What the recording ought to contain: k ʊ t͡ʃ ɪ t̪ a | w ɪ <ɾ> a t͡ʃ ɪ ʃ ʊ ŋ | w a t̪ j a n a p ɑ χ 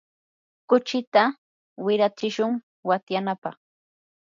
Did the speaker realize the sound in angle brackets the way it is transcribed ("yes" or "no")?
yes